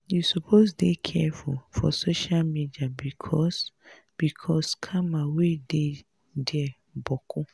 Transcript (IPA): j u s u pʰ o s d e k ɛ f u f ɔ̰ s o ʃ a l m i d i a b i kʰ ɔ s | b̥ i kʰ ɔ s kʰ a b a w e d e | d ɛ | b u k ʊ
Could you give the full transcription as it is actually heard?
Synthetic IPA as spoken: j u s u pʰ o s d e kʰ ɛ f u f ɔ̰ s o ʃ a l m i d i a b i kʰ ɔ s | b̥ i kʰ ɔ s kʰ a m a w e d e | d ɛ | b ɔ k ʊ